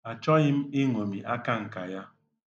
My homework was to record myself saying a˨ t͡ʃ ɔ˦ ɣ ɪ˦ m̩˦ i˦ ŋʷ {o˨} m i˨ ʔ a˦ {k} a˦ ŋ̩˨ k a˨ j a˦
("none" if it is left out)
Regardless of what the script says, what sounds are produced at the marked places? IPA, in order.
o˨, k

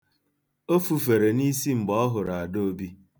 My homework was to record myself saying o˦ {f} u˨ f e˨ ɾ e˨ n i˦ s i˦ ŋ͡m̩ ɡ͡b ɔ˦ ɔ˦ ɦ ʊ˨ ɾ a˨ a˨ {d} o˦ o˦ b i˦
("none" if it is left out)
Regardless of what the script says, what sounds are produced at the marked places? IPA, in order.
f, d

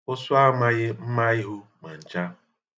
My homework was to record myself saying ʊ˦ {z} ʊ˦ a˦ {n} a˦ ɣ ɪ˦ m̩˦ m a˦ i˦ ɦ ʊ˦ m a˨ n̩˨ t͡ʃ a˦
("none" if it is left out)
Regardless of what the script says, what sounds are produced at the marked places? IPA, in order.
s, m

